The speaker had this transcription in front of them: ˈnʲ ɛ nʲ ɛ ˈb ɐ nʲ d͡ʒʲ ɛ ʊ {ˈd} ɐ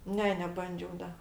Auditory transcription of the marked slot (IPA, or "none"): d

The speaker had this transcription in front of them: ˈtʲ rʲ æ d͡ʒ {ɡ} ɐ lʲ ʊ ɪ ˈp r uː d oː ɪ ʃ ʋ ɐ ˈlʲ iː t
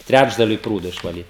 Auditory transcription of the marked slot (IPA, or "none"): d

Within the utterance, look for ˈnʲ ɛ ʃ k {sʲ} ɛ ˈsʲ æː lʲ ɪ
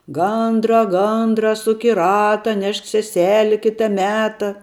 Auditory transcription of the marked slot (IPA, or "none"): sʲ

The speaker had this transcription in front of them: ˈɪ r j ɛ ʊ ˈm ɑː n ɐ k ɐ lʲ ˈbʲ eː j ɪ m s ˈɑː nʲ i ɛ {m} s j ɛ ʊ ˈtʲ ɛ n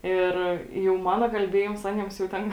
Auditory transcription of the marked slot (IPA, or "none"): m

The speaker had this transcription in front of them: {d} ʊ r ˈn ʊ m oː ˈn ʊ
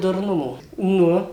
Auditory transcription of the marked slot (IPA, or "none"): d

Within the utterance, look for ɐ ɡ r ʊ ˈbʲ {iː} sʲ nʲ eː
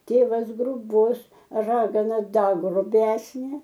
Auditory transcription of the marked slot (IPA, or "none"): æː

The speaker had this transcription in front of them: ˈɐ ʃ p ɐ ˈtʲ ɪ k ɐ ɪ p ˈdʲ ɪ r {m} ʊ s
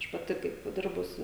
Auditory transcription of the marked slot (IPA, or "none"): b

